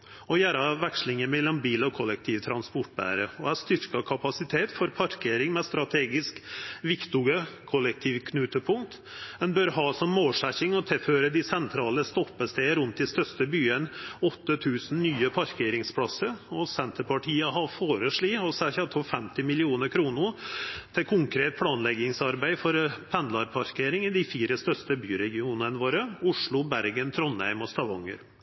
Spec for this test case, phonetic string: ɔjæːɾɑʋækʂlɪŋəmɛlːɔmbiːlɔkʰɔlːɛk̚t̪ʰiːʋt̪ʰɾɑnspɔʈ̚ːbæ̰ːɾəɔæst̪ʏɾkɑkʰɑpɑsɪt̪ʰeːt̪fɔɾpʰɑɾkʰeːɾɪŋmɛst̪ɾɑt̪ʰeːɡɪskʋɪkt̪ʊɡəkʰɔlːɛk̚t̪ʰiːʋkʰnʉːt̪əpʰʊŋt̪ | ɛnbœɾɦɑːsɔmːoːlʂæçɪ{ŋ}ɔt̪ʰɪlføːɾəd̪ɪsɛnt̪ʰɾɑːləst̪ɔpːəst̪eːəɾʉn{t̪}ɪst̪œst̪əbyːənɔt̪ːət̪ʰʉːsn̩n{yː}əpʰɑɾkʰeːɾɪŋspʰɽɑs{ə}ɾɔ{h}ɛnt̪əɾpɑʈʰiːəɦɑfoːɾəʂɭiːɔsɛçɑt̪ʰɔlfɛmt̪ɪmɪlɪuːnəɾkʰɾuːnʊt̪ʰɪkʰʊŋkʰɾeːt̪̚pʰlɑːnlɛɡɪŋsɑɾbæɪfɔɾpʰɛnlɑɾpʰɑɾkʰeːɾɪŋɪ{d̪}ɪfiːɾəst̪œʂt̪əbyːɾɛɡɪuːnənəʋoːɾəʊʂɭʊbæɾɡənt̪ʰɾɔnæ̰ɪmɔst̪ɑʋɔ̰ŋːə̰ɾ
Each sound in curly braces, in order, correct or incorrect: correct, correct, correct, correct, incorrect, correct

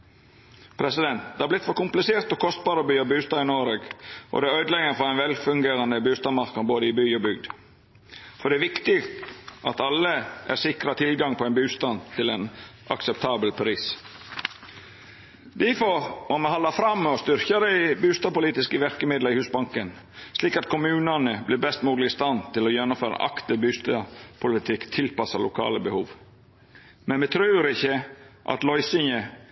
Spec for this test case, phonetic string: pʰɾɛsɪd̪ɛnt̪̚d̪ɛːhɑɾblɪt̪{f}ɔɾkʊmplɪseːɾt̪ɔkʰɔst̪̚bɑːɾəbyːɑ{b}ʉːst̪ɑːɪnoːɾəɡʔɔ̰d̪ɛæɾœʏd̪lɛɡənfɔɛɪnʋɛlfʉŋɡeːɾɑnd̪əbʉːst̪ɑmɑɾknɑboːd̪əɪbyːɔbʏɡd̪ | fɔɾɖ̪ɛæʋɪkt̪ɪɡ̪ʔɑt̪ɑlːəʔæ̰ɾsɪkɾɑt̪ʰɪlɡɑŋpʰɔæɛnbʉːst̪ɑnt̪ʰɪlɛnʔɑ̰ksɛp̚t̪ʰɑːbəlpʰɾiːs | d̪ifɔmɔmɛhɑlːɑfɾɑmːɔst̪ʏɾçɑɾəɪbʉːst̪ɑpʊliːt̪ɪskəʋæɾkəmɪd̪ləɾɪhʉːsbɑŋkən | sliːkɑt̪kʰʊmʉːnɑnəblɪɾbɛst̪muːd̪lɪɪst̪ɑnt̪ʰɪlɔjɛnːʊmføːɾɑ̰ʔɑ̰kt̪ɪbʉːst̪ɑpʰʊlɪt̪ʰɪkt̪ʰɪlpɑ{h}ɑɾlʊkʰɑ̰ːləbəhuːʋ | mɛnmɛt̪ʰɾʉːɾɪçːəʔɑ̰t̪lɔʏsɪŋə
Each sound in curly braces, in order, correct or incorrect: correct, correct, incorrect

